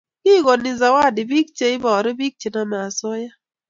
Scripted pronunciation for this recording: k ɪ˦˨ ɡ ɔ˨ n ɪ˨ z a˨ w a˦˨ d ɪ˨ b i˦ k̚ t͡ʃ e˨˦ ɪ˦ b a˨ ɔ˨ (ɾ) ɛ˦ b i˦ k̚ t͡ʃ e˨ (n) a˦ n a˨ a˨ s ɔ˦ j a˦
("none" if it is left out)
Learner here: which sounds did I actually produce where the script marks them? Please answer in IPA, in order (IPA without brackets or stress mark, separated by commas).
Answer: ɾ, n